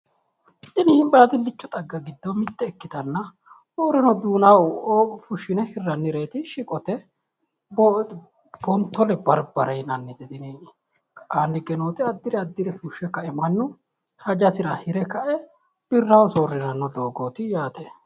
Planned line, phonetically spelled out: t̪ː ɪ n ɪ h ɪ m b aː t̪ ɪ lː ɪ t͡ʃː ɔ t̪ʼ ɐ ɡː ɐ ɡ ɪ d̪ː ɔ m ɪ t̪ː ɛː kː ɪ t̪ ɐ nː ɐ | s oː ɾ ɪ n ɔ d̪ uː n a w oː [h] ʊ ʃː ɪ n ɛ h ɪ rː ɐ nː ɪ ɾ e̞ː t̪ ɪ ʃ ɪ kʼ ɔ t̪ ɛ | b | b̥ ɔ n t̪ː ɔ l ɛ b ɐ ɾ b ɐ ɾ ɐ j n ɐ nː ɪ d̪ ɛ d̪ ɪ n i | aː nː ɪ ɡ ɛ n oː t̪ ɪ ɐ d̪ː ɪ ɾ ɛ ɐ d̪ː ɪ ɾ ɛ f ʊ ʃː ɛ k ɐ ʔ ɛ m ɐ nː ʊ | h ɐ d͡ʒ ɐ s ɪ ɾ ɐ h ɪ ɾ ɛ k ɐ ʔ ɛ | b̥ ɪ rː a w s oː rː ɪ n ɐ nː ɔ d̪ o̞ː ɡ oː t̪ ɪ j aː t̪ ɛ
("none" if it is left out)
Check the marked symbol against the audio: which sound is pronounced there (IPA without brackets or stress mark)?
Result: f